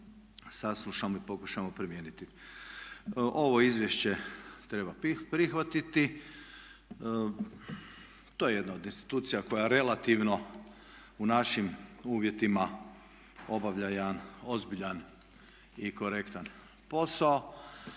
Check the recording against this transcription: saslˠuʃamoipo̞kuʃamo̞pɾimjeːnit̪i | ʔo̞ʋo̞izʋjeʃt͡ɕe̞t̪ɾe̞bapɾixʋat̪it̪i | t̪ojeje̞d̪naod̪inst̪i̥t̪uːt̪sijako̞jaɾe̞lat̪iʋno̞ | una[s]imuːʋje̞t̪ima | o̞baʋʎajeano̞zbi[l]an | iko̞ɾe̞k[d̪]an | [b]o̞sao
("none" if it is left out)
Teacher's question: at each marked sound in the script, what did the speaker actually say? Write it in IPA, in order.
ʃ, ʎ, t̪, p

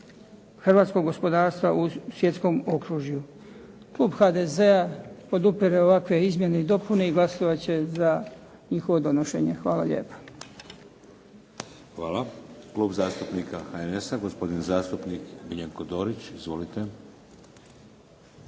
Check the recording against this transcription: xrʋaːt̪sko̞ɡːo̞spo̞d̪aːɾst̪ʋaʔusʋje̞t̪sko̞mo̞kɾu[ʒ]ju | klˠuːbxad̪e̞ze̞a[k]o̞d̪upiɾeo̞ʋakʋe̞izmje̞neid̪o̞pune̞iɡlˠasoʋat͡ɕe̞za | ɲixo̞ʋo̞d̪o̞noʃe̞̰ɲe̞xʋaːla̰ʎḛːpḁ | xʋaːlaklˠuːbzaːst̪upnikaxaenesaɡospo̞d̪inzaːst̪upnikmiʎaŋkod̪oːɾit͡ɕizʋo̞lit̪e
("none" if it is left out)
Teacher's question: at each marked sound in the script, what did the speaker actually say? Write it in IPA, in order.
ʒ, p

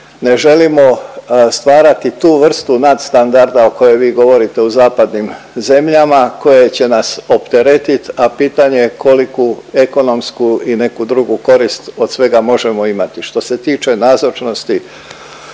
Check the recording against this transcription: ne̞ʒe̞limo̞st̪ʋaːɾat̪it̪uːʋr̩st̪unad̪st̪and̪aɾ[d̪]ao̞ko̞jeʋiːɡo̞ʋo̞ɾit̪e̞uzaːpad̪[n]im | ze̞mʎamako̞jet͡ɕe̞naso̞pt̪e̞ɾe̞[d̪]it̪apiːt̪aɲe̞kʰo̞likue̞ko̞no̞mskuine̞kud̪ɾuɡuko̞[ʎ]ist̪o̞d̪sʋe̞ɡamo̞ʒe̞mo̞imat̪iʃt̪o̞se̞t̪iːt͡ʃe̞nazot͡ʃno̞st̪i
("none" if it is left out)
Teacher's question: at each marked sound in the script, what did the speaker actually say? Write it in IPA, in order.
d̪, n, t̪, ɾ

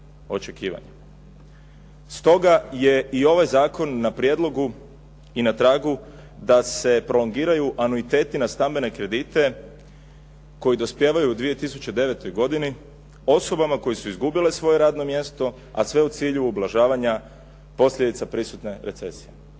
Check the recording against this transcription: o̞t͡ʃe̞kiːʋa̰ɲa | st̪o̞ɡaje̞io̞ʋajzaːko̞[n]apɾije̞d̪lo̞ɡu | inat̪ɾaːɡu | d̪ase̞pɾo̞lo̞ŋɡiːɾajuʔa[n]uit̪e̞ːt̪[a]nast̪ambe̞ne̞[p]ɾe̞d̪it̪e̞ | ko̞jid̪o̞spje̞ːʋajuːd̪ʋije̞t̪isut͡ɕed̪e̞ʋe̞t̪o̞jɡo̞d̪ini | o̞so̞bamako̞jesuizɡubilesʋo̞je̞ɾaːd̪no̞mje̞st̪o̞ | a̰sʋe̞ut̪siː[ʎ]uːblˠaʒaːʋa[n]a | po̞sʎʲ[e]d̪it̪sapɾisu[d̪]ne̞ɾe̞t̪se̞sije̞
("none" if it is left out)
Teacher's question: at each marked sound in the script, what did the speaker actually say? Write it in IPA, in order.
nː, n, i, k, ʎ, ɲ, e, t̪

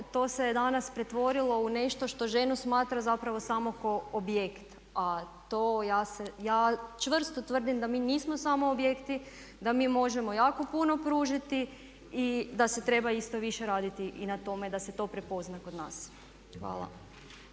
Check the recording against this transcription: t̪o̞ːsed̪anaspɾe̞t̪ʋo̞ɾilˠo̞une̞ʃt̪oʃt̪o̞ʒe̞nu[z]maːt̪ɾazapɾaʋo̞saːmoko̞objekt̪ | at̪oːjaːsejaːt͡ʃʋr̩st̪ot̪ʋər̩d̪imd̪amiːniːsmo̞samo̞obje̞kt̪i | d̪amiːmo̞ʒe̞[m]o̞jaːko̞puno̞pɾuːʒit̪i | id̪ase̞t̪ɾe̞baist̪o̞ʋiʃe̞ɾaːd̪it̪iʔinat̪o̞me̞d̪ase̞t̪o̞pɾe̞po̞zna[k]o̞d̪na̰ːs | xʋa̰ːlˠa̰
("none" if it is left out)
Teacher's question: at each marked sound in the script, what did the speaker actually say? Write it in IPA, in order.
s, m, k

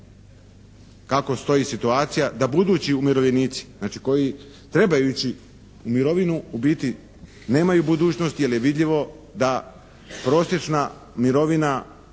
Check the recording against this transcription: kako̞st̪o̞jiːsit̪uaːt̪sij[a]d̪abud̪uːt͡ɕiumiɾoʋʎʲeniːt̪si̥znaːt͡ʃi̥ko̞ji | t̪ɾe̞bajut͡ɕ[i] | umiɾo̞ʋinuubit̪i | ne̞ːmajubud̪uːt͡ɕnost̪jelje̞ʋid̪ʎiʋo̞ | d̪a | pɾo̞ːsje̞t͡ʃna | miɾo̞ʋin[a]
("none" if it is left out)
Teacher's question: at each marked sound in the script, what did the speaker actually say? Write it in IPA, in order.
a, i, a

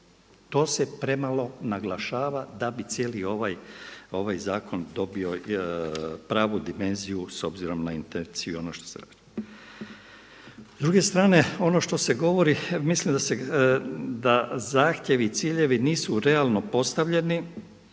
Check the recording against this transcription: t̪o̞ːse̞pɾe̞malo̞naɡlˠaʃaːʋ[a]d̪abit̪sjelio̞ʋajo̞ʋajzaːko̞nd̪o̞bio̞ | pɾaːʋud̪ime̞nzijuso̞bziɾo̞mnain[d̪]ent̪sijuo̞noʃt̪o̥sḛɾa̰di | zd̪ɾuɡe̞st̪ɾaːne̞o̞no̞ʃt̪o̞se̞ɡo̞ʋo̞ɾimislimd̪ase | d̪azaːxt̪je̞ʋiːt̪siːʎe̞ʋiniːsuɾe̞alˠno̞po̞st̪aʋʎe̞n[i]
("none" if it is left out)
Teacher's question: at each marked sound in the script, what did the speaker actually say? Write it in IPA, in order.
a, t̪, i

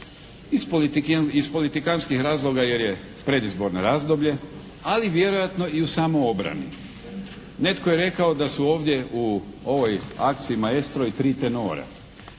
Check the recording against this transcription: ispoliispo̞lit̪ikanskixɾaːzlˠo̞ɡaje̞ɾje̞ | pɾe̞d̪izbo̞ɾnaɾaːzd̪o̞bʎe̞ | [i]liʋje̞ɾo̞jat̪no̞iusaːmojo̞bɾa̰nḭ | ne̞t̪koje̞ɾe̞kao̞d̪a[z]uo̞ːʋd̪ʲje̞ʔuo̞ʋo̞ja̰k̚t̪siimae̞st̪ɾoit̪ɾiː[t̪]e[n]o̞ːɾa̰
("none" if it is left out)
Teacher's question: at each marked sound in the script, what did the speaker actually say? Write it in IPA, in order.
a, s, t̪, n

